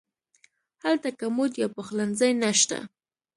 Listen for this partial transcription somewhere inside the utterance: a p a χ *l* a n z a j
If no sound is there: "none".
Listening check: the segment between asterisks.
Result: l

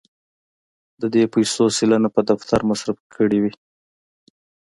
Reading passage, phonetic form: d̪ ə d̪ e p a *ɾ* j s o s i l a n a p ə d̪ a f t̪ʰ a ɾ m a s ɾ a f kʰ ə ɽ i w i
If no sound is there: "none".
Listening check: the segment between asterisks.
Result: none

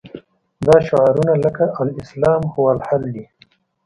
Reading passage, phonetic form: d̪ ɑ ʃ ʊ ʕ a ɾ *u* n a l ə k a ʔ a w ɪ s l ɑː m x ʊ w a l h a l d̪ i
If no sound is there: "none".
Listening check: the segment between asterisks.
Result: u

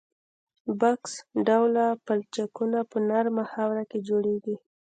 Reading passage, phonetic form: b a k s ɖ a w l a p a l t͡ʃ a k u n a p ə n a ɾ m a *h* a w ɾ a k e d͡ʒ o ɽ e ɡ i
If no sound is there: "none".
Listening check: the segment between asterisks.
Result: h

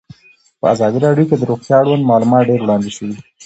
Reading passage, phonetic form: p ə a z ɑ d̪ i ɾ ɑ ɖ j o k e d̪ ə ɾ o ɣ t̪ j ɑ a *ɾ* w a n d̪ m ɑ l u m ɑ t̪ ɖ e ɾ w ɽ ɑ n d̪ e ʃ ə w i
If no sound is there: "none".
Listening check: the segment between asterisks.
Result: ɽ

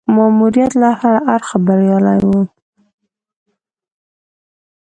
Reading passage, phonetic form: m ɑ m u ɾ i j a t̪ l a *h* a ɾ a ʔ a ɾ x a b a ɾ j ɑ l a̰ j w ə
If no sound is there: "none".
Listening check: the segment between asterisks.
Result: h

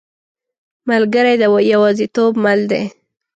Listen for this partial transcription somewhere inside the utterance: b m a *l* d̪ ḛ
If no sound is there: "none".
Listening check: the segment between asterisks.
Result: l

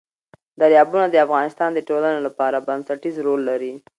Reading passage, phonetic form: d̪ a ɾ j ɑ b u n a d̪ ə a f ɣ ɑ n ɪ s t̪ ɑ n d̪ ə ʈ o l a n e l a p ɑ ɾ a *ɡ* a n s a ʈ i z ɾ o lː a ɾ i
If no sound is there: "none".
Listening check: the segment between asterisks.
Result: b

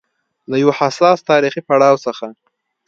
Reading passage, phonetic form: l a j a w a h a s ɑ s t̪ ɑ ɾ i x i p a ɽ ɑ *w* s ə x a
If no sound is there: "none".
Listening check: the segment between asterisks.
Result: w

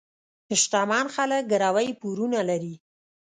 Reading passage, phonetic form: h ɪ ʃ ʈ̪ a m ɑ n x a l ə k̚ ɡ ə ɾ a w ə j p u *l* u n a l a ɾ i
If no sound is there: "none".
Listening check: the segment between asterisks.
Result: ɾ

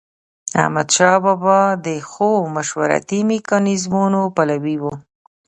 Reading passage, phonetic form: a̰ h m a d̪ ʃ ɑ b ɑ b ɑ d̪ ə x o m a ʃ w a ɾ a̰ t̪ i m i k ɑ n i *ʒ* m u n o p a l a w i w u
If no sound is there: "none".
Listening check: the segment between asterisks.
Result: z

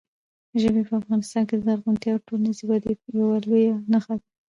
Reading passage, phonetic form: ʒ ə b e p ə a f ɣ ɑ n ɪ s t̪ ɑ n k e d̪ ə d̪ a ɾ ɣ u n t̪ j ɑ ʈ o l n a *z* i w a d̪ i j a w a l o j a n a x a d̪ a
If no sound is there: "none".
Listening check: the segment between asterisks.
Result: z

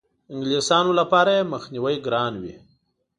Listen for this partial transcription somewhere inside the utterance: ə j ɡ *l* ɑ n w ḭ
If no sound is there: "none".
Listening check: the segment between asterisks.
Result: ɾ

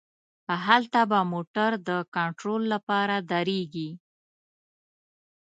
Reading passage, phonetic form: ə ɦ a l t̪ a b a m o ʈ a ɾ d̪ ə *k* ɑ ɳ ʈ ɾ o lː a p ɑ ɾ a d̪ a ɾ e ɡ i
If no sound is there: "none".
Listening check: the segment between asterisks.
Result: k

